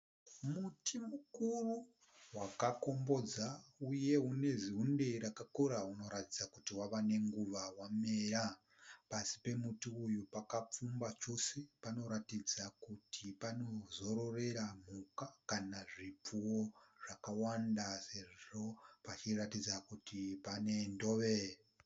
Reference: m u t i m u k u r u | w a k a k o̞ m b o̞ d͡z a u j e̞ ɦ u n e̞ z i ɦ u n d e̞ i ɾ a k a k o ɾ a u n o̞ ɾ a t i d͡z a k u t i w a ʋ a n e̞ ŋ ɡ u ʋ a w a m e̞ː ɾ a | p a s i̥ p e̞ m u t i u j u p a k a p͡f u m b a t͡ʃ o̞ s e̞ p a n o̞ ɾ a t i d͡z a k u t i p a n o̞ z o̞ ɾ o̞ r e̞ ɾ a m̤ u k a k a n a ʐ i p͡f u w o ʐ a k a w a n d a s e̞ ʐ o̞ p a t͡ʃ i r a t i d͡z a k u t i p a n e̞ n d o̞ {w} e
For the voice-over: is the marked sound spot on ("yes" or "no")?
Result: no